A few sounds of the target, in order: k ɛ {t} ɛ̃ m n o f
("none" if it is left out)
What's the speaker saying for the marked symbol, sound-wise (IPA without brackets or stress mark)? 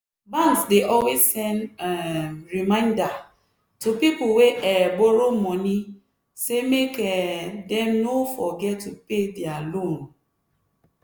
d